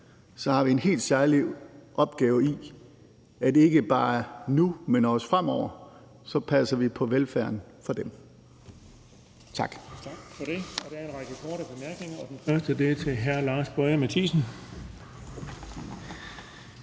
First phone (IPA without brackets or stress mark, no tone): s